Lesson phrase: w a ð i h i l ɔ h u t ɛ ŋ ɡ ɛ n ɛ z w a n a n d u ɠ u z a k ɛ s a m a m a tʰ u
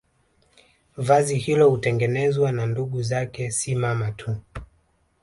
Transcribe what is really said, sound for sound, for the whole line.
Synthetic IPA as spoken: v a z i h i l ɔ h u t ɛ ŋ ɡ ɛ n ɛ z w a n a n d u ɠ u z a k ɛ s i m a m a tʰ u

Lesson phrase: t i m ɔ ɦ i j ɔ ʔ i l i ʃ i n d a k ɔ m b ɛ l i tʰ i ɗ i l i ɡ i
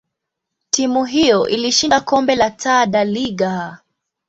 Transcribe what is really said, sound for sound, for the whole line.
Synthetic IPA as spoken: t i m u ɦ i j ɔ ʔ i l i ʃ i n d a k ɔ m b ɛ l a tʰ a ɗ a l i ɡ a

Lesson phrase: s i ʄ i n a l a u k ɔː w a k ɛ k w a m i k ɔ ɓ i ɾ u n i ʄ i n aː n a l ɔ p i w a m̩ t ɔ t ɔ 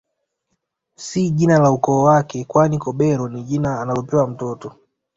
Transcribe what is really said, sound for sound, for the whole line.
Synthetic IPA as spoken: s i ʄ i n a l a u k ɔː w a k ɛ k w a n i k ɔ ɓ ɛ ɾ ɔ n i ʄ i n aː n a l ɔ p ɛ w a m̩ t ɔ t ɔ

